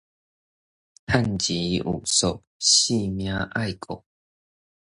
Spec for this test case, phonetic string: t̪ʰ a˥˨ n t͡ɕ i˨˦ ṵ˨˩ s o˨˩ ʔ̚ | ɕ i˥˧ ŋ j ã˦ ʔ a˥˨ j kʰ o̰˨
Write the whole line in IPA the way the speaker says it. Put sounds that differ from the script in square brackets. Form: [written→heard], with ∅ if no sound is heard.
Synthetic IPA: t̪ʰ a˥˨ n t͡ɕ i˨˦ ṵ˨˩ s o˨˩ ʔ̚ | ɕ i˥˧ [ŋ→m] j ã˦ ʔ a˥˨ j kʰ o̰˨